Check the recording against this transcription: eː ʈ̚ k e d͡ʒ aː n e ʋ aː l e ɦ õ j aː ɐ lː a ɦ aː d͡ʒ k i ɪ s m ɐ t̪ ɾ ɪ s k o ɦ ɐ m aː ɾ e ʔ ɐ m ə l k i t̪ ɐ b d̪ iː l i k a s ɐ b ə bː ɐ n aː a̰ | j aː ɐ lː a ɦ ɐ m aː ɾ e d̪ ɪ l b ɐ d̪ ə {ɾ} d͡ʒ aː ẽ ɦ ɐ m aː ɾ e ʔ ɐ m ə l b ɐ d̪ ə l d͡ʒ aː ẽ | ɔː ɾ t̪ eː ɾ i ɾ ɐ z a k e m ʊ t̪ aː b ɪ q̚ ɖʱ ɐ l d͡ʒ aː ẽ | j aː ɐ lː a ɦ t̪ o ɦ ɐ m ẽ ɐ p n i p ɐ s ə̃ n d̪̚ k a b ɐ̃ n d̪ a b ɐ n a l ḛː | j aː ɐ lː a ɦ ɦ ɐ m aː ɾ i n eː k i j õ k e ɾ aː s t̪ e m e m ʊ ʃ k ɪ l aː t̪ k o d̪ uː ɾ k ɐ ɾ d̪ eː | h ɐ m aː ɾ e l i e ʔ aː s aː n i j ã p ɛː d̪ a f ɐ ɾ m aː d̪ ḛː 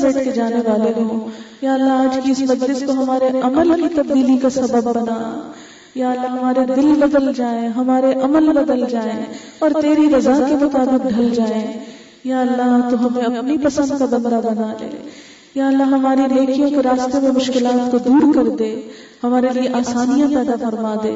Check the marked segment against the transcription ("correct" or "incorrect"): incorrect